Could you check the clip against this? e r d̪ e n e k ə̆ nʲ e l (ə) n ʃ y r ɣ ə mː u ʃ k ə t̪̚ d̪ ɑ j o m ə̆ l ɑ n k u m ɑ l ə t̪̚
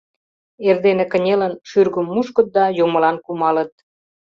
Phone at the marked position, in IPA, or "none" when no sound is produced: ə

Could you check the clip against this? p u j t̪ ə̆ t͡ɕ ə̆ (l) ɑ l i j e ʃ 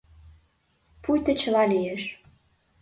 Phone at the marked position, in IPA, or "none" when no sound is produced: l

